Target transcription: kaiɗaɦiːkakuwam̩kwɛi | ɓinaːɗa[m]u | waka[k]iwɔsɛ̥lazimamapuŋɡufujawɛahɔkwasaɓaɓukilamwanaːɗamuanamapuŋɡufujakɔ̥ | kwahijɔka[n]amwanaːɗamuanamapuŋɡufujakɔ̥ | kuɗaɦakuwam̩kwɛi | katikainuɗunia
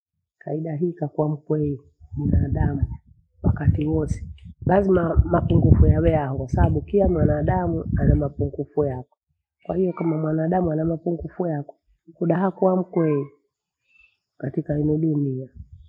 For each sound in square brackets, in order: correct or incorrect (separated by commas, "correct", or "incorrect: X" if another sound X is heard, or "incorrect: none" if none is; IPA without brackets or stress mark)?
correct, incorrect: t, incorrect: m